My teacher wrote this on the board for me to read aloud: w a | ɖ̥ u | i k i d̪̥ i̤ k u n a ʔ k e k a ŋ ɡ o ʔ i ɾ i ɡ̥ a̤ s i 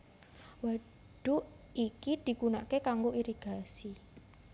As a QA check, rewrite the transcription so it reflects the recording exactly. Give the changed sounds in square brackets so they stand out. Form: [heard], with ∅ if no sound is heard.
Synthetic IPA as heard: w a | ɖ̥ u | i k i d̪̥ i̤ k u n a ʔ k e k a ŋ ɡ o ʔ i ɾ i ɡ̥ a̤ s i